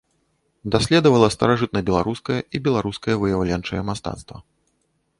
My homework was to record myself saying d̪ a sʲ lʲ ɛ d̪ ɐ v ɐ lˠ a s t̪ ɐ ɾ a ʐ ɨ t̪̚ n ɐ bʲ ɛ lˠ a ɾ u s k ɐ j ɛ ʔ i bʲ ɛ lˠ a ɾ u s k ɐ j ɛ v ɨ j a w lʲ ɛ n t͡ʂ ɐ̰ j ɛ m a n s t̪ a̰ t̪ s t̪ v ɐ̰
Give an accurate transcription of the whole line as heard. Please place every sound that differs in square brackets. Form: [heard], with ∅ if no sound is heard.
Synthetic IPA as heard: d̪ a sʲ lʲ ɛ d̪ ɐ v ɐ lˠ [ɐ] s t̪ ɐ ɾ a ʐ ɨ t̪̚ n ɐ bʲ ɛ lˠ a ɾ u s k ɐ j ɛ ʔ i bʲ ɛ lˠ a ɾ u s k ɐ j ɛ v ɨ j a w lʲ ɛ n t͡ʂ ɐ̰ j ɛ m a [∅] s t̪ a̰ t̪ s t̪ v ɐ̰